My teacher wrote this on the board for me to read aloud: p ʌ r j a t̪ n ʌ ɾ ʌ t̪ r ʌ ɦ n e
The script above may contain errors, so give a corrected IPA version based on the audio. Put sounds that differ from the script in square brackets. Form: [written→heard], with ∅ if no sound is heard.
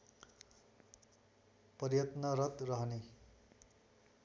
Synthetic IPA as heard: p ʌ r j [a→ʌ] t̪ n ʌ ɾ ʌ t̪ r ʌ ɦ n e